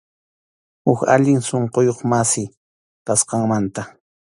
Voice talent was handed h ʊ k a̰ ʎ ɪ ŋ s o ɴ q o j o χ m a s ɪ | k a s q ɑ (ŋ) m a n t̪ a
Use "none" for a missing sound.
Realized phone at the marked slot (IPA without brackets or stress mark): ŋ